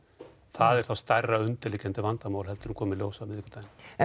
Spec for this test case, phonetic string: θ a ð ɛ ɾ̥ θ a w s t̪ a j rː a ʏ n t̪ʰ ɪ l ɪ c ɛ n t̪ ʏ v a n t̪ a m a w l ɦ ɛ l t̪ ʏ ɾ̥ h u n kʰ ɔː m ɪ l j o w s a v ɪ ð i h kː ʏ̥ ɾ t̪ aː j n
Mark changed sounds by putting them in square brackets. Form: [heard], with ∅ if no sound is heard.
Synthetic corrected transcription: θ a ð ɛ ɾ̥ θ a w s t̪ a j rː a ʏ n [t̪] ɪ l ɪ c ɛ n t̪ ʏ v a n t̪ a m a w l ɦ ɛ l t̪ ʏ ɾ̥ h u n kʰ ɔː m ɪ l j o w s a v ɪ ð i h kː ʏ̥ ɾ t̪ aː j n

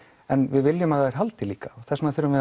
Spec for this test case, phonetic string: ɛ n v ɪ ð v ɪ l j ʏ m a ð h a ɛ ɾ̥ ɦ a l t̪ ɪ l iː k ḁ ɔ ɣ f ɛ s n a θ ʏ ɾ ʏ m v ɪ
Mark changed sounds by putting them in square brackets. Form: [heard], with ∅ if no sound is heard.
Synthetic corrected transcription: ɛ n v ɪ ð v ɪ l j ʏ m a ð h a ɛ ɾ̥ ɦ a l t̪ ɪ l iː k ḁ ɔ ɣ [θ] ɛ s n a θ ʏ ɾ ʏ m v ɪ

